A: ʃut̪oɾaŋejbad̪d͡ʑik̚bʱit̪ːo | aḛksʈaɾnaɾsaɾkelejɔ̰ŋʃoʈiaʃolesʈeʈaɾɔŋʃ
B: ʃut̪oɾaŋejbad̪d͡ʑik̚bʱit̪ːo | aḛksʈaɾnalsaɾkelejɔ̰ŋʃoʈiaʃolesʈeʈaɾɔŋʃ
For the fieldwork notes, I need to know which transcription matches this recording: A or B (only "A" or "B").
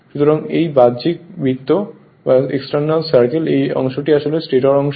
B